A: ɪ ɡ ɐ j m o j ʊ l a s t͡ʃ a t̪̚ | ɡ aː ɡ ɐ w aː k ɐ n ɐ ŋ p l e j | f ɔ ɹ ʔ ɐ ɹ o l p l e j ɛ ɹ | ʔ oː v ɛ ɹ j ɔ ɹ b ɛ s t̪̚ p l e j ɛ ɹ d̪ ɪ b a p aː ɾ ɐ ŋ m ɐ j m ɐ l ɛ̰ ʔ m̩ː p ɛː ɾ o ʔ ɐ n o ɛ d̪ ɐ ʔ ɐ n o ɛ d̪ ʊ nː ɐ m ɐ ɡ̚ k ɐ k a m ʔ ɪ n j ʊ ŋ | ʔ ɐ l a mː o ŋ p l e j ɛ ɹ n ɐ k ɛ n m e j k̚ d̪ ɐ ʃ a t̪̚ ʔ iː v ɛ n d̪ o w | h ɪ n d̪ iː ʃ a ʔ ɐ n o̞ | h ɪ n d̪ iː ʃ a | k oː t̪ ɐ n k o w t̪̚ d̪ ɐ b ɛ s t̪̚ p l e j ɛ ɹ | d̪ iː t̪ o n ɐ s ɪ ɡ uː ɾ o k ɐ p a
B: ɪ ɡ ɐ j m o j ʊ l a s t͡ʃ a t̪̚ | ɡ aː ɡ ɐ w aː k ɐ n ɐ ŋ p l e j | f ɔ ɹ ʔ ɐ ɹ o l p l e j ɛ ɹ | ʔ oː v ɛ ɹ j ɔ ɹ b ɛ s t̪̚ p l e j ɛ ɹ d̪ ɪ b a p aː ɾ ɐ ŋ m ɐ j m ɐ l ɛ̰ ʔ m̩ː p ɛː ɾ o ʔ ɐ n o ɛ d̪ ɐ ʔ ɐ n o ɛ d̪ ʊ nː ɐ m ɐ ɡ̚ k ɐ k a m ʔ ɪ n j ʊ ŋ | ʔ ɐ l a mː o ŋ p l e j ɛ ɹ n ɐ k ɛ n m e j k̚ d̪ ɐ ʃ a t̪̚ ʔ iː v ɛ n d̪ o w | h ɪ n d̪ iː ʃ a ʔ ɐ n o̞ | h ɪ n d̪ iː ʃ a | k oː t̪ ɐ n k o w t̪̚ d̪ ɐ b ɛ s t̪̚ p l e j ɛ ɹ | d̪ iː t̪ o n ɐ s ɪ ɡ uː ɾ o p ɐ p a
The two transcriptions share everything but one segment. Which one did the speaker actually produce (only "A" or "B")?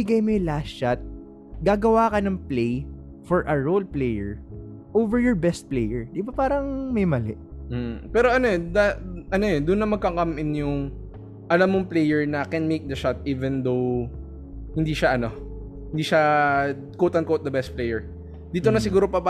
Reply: B